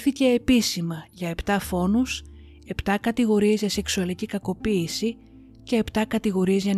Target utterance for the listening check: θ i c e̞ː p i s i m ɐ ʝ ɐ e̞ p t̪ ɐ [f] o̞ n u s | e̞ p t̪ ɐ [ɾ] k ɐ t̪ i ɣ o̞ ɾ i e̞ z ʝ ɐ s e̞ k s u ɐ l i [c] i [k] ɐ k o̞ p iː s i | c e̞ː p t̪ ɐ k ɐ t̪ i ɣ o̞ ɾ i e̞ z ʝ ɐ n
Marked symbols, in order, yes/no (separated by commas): yes, no, yes, yes